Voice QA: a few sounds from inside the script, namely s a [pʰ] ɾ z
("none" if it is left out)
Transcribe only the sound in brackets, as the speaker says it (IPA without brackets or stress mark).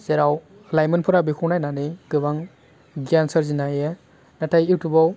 none